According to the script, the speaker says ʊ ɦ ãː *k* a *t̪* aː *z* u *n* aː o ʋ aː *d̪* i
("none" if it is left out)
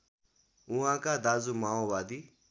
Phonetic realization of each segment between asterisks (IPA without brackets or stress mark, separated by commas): k, d̪, z, m, d̪